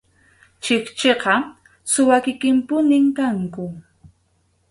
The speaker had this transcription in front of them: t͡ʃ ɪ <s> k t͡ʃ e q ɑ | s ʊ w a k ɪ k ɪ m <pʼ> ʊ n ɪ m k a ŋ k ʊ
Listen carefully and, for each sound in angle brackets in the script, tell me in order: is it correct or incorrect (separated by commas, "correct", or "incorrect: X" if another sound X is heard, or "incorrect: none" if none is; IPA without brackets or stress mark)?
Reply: incorrect: none, incorrect: p